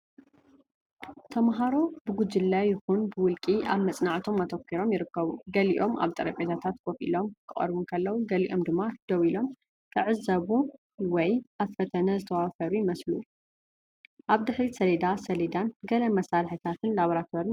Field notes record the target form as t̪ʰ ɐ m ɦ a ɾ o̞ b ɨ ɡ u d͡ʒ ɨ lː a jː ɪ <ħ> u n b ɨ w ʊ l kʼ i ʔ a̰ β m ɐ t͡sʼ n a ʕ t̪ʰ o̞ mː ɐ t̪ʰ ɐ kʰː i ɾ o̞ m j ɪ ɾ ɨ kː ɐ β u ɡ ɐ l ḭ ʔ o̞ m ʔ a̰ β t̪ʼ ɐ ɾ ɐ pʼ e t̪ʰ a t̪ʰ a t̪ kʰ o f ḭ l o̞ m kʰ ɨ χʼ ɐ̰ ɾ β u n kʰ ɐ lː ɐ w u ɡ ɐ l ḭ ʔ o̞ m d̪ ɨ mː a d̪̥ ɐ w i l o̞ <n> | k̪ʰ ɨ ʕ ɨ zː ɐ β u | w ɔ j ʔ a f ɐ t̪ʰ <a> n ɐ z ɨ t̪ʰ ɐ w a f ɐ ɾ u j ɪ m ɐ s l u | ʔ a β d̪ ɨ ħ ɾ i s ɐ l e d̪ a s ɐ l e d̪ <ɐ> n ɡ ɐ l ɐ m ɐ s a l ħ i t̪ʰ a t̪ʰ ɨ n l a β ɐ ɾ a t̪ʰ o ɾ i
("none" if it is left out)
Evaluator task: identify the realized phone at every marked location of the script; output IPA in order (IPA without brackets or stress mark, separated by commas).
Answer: x, m, ɐ, a